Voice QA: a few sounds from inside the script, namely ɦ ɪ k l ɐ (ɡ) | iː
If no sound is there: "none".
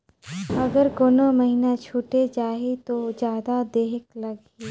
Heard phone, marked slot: ɡ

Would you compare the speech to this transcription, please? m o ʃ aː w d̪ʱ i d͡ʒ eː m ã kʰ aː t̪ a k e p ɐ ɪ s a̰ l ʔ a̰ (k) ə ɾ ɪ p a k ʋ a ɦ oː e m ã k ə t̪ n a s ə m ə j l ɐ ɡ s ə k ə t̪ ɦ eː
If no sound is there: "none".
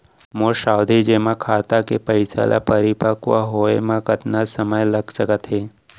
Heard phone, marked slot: p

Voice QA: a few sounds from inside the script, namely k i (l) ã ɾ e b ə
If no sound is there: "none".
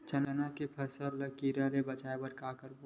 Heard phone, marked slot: ɾ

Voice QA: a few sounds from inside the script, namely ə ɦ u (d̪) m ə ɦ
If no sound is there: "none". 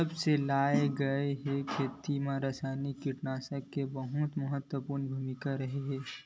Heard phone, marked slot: t̪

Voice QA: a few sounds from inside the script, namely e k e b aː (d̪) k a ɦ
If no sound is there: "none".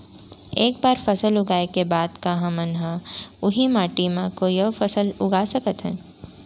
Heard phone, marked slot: d̪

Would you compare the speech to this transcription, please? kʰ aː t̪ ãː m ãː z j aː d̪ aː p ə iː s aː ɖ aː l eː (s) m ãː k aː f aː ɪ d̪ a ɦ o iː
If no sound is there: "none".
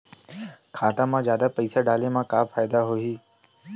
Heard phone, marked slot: none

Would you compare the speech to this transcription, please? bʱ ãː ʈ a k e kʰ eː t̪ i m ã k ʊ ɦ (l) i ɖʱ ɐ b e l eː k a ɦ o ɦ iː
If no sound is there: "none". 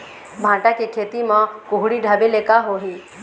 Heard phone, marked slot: ɽ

